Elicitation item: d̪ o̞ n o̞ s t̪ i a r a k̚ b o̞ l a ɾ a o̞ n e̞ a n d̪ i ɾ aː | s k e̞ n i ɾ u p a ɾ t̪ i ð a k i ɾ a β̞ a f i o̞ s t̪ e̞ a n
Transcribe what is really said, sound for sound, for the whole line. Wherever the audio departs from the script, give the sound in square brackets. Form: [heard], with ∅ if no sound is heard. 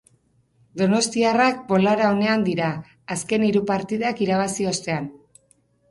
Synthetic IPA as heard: d̪ o̞ n o̞ s t̪ i a r a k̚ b o̞ l a ɾ a o̞ n e̞ a n d̪ i ɾ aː | s k e̞ n i ɾ u p a ɾ t̪ i ð a k i ɾ a β̞ a [s] i o̞ s t̪ e̞ a n